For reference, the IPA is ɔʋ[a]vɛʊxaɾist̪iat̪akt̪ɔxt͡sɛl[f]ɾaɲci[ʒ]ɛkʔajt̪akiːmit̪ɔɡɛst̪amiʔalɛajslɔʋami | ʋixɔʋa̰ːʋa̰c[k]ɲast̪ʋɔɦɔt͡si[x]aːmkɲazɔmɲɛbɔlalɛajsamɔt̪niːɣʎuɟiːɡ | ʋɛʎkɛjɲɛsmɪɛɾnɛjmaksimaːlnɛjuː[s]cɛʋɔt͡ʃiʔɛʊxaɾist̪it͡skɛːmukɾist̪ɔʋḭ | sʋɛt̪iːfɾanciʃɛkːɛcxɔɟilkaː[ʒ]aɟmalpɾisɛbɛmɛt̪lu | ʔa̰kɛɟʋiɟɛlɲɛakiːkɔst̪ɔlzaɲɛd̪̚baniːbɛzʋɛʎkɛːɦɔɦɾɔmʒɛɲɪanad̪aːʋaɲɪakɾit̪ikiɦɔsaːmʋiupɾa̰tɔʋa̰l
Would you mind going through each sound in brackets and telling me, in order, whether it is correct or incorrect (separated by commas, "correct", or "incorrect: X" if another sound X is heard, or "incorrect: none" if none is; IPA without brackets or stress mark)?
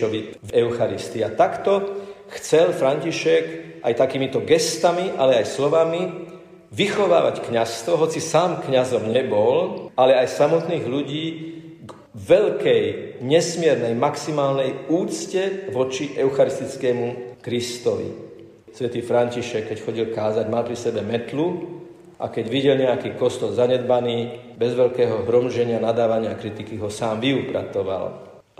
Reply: incorrect: i, correct, incorrect: ʃ, correct, incorrect: s, incorrect: t͡s, incorrect: z